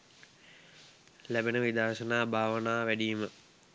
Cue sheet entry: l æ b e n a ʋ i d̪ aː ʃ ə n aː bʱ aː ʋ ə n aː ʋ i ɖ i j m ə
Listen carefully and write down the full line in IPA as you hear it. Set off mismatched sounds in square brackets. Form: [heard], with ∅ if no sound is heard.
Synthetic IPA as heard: l æ b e n [ə] ʋ i d̪ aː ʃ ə n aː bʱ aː ʋ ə n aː ʋ [æ] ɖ i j m ə